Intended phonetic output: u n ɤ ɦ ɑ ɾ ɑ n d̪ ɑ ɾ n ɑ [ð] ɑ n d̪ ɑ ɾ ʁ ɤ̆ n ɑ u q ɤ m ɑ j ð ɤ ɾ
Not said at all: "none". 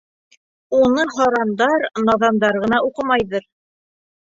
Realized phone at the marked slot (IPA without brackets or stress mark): ð